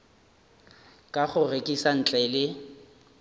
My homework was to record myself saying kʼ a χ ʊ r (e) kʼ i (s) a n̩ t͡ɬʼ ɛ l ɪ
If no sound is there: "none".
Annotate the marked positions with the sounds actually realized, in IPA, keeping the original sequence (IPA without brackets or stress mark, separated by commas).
e, s